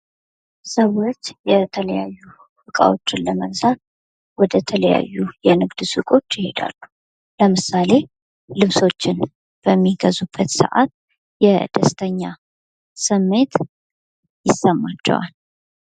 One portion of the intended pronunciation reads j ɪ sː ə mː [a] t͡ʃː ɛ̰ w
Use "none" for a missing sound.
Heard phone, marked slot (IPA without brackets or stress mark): a